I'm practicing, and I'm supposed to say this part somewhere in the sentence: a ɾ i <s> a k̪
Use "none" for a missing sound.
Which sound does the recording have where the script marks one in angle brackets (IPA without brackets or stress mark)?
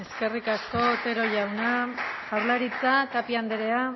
t͡s